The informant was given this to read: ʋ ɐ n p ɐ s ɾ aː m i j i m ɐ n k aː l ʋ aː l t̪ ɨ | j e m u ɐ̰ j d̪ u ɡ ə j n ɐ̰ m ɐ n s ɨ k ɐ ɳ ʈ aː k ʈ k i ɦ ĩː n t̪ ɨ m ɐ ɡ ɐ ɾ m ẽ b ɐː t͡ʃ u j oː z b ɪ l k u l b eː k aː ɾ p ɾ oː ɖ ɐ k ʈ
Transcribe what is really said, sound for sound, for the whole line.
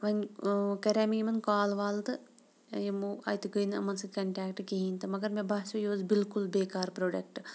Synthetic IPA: ʋ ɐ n k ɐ ɾ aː m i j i m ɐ n k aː l ʋ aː l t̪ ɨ | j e m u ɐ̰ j t̪ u ɡ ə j n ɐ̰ m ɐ n s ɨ k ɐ ɳ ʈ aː k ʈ k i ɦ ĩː n t̪ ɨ m ɐ ɡ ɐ ɾ m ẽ b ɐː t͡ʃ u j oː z b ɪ l k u l b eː k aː ɾ p ɾ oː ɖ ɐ k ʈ